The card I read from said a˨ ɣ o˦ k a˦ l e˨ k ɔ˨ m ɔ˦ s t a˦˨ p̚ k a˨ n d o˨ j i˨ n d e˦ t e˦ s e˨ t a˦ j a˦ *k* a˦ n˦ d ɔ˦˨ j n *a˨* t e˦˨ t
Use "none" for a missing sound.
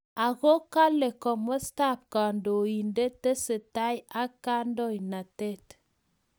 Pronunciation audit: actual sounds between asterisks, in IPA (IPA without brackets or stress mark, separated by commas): k, a˨